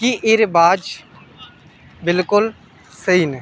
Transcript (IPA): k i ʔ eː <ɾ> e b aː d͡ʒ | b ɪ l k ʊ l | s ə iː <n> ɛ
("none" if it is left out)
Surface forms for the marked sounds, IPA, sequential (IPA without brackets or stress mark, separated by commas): ɾ, n